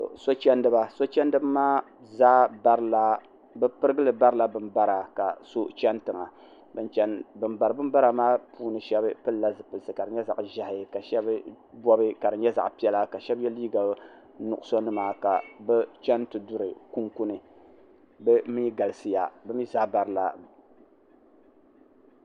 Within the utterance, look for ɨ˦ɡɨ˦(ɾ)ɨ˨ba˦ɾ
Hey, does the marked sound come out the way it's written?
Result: no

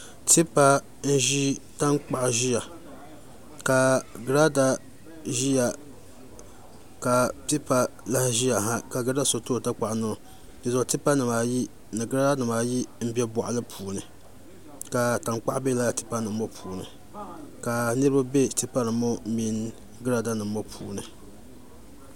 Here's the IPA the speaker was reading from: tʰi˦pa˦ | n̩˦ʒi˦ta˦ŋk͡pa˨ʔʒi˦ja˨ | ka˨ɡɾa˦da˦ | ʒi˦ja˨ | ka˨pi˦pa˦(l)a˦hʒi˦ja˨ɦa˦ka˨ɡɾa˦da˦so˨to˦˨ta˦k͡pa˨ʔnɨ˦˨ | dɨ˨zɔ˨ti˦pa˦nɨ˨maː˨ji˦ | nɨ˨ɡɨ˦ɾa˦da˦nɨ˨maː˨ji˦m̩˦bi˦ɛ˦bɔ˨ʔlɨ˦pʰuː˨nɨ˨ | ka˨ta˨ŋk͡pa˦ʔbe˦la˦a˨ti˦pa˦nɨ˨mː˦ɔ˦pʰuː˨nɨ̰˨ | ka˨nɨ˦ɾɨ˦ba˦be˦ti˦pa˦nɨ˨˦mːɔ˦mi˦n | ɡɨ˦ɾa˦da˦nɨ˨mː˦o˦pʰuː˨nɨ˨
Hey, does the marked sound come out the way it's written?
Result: yes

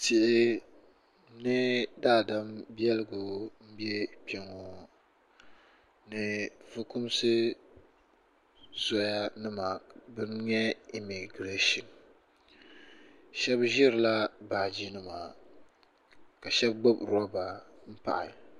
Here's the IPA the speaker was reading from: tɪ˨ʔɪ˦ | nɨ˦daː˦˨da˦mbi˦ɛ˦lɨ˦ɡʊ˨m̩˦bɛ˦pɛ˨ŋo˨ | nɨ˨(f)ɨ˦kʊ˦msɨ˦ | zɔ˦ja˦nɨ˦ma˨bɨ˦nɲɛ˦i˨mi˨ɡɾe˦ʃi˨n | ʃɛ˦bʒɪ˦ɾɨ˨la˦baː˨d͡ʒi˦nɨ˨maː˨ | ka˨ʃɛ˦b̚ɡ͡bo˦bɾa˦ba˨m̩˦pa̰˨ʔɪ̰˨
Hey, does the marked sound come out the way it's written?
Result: no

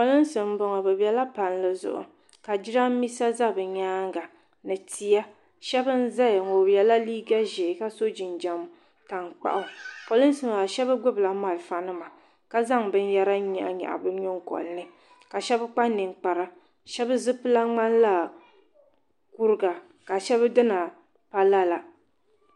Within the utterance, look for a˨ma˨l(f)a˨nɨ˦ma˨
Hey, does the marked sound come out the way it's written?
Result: yes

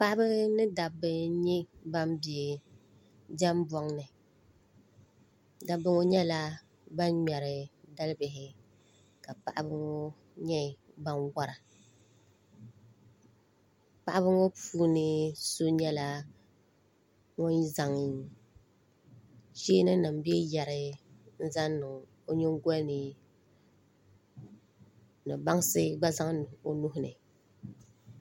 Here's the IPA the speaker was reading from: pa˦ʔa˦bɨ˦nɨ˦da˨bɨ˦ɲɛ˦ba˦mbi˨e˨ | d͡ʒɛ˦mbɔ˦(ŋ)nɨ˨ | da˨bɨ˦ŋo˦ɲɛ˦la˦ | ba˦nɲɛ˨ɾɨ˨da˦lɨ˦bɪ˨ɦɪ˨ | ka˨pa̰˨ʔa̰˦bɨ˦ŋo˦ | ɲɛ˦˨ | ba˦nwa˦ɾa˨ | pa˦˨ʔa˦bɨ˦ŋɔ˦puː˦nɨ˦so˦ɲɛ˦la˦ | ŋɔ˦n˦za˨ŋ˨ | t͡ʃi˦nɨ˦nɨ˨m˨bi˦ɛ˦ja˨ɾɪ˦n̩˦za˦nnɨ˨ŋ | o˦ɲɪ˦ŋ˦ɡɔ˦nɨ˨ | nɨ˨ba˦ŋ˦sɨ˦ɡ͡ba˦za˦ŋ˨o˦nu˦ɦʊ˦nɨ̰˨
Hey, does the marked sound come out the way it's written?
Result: yes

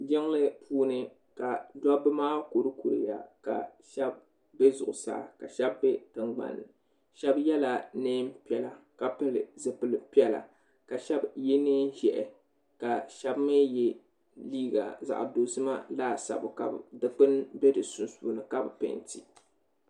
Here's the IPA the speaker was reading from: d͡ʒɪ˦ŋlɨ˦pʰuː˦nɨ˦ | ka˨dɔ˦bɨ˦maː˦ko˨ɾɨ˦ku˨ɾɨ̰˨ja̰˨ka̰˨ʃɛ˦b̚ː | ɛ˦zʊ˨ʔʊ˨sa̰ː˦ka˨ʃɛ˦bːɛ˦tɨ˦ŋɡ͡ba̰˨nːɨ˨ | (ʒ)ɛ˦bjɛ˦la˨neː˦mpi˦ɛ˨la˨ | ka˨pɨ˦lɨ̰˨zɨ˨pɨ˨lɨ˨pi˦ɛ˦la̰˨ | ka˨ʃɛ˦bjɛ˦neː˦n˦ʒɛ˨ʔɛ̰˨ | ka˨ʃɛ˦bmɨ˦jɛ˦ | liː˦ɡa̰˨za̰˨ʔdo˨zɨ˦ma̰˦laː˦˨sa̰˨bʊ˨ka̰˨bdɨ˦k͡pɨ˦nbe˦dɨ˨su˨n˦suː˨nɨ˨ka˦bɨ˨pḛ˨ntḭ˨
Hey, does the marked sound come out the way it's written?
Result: no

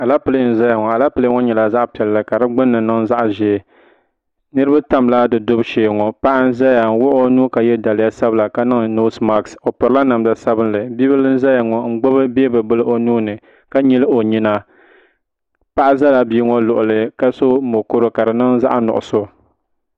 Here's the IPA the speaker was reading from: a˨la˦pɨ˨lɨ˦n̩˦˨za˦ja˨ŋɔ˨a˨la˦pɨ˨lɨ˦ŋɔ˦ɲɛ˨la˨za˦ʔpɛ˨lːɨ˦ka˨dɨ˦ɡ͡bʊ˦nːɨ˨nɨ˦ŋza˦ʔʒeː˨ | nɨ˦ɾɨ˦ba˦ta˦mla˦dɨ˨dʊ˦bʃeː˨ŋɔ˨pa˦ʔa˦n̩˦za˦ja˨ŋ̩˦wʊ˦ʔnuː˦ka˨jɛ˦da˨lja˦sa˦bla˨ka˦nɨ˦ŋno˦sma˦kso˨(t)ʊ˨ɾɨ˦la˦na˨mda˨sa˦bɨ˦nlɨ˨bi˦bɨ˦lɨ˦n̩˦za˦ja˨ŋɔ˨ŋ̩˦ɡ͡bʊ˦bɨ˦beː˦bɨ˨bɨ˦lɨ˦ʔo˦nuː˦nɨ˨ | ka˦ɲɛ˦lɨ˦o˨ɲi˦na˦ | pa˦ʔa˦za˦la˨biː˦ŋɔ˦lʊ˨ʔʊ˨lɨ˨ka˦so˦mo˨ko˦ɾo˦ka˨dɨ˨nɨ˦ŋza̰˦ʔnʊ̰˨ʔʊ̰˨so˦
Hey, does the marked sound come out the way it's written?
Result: no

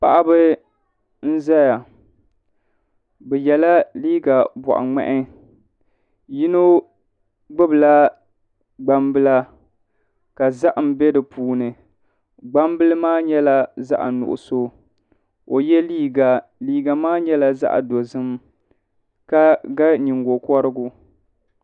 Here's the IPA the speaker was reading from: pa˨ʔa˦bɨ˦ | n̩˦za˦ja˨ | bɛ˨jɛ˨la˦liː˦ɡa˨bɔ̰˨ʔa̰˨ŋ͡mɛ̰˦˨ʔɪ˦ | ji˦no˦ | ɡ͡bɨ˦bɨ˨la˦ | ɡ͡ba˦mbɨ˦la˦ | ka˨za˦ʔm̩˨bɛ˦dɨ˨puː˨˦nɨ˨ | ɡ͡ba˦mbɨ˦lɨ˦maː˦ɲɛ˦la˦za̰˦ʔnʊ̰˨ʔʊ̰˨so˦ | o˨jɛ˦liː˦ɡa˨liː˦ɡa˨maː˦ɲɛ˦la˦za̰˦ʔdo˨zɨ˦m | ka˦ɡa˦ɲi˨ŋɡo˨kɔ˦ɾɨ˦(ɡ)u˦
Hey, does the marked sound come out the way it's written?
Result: yes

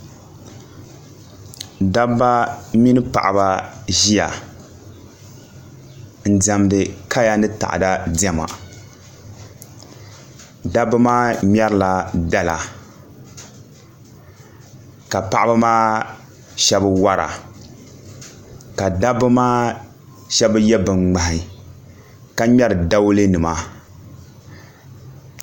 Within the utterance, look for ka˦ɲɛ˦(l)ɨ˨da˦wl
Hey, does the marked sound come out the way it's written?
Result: no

